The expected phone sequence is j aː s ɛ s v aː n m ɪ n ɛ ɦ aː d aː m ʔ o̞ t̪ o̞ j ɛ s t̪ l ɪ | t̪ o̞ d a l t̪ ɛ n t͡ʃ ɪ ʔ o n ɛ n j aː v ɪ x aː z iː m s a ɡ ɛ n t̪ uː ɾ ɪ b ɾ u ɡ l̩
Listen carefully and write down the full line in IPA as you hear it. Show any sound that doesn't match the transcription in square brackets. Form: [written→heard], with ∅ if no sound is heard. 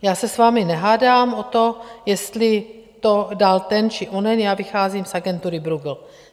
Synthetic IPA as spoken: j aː s ɛ s v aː [n→∅] m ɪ n ɛ ɦ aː d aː m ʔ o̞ t̪ o̞ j ɛ s t̪ l ɪ | t̪ o̞ d a l t̪ ɛ n t͡ʃ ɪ ʔ o n ɛ n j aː v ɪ x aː z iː m s a ɡ ɛ n t̪ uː ɾ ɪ b ɾ u ɡ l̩